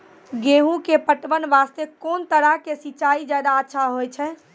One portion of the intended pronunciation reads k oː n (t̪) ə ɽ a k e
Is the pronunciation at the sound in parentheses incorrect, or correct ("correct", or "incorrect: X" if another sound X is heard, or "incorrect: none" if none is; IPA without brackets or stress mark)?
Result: correct